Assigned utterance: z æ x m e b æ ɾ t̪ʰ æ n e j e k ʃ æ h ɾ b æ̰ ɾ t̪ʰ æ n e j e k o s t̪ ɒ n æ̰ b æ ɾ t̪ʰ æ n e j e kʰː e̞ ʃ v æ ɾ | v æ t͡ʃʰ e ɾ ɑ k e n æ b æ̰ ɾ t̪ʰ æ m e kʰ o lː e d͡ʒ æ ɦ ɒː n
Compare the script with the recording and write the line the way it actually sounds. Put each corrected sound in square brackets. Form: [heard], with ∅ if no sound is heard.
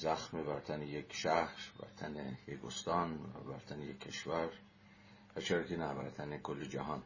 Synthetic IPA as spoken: z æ x m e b æ ɾ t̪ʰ æ n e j e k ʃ æ h ɾ b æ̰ ɾ t̪ʰ æ n e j e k o s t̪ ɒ n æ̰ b æ ɾ t̪ʰ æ n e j e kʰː e̞ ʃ v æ ɾ | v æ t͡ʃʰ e ɾ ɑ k e n æ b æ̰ ɾ t̪ʰ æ [n] e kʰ o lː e d͡ʒ æ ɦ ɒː n